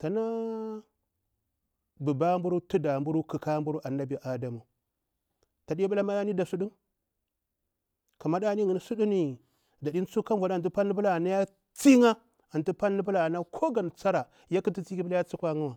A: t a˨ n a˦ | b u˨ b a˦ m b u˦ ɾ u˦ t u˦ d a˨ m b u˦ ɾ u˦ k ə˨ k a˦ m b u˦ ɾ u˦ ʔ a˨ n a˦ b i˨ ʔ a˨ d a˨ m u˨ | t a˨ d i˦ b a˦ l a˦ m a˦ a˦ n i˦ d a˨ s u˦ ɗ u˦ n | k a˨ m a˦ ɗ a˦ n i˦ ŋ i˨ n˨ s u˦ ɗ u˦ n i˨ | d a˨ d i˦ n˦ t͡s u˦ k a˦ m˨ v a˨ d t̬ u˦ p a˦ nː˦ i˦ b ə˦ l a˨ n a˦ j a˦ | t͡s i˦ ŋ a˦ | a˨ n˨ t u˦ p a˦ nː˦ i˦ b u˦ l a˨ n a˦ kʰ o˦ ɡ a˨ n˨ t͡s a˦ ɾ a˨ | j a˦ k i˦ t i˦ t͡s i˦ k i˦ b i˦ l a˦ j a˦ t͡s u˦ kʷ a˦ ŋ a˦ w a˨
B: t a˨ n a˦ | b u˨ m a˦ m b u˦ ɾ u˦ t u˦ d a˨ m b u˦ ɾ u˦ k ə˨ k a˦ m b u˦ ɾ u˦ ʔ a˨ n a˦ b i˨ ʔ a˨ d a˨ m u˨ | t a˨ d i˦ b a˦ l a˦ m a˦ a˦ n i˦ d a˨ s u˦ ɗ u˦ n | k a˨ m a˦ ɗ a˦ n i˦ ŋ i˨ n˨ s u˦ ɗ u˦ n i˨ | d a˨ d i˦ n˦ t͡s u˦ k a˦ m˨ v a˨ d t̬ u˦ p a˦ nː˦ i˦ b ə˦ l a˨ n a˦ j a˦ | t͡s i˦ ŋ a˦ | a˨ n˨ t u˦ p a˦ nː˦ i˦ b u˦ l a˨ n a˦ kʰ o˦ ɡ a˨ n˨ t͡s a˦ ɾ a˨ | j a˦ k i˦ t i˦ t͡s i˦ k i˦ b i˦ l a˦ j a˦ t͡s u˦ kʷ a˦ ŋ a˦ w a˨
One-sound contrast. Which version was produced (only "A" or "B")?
A